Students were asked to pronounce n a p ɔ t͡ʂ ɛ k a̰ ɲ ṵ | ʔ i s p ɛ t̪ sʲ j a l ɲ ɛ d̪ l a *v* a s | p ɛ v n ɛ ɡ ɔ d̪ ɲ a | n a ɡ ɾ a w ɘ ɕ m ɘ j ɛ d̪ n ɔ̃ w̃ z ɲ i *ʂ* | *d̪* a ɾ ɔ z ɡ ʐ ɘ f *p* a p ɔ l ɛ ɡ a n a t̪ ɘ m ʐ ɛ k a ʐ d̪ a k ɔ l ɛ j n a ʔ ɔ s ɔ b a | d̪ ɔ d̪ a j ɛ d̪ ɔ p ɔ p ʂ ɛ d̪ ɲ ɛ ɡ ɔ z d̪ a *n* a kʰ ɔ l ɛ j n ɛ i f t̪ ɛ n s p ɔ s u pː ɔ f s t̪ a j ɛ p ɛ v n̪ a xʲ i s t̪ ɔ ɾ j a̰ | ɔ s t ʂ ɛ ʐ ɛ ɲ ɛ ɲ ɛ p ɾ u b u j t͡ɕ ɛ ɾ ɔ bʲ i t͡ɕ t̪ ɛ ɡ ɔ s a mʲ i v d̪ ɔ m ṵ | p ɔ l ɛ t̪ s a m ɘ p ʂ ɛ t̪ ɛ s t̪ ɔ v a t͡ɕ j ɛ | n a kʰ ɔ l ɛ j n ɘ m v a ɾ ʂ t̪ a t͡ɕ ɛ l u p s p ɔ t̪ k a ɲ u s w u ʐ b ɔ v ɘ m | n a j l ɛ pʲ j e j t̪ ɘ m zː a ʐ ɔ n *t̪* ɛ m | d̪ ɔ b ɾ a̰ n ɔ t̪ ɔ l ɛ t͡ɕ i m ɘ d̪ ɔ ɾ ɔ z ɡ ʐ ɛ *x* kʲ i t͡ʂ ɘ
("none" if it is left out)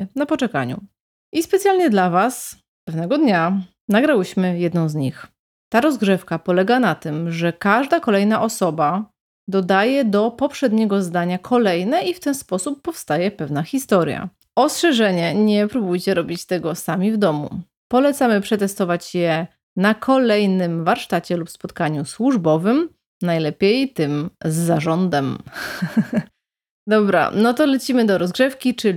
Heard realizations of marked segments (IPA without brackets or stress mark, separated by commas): v, x, t̪, k, ɲ, d̪, f